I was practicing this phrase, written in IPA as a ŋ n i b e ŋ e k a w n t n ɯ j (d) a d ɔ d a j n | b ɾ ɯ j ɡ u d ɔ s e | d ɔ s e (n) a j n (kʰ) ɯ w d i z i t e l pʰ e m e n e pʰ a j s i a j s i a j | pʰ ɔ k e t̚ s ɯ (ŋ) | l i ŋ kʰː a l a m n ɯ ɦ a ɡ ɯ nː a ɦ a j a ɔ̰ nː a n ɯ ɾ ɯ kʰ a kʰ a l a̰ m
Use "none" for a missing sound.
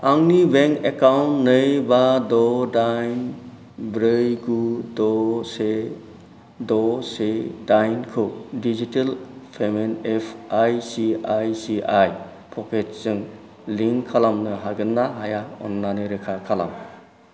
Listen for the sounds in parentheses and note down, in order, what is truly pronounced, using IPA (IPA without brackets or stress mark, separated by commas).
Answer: b, d, kʰ, ŋ